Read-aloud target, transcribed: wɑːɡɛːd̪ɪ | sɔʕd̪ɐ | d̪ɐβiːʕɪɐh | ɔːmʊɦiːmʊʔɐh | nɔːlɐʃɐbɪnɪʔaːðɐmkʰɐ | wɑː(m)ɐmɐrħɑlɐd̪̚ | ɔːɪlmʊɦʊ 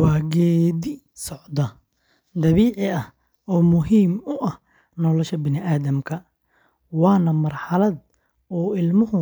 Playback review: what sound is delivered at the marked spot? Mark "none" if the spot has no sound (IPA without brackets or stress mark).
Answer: n